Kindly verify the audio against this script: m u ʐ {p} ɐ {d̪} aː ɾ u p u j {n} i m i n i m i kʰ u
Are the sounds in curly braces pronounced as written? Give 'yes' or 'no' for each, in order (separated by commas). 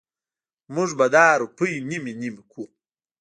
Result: no, yes, yes